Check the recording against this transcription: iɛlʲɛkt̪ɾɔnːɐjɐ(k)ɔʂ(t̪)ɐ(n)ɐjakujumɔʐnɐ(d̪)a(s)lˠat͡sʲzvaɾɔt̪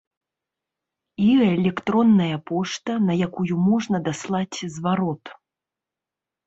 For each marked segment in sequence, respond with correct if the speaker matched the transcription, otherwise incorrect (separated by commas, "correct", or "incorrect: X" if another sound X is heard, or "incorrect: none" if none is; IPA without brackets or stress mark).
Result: incorrect: p, correct, correct, correct, correct